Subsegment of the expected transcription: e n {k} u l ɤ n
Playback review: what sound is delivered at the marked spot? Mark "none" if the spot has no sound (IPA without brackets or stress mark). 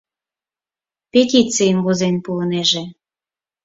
p